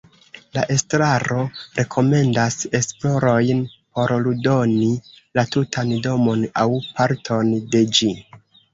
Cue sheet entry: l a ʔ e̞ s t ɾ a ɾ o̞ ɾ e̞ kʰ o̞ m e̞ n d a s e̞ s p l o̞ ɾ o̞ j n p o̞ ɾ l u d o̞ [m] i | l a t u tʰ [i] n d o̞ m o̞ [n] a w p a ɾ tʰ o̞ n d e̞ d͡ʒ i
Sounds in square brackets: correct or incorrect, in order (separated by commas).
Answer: incorrect, incorrect, correct